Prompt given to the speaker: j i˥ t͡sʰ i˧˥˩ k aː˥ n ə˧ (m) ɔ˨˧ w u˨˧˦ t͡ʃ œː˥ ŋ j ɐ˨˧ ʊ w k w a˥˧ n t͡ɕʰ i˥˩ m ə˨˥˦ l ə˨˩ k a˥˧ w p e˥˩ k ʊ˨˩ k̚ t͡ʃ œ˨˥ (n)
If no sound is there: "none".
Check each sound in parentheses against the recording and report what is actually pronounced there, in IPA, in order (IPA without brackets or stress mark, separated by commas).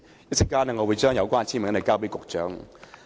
ŋ, ŋ